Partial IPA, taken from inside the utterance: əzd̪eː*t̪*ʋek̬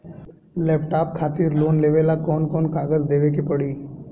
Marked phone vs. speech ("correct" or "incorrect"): incorrect